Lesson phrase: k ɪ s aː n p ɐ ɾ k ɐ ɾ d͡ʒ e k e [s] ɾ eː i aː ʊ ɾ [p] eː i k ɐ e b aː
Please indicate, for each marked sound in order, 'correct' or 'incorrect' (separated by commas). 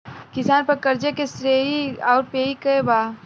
correct, correct